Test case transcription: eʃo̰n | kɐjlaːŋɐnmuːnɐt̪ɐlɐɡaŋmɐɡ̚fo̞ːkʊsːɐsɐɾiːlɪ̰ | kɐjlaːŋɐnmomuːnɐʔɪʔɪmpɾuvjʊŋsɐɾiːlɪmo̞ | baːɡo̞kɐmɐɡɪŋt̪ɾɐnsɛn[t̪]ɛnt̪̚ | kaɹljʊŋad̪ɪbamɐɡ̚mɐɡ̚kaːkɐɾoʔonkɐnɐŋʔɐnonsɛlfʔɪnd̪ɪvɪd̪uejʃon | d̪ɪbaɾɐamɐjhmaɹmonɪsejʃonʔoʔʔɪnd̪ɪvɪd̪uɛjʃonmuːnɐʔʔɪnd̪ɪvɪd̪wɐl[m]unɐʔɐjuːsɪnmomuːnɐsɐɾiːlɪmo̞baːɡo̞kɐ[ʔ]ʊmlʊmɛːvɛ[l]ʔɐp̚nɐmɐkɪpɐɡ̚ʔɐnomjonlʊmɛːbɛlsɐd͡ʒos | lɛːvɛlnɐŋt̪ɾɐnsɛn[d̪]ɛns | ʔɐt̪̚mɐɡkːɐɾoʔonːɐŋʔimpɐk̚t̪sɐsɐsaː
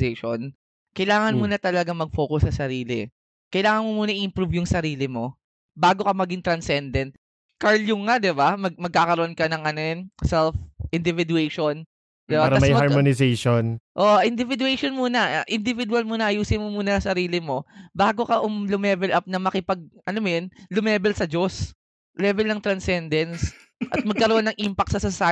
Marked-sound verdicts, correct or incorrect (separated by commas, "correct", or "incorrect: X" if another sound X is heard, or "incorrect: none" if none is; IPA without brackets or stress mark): incorrect: d̪, correct, correct, correct, correct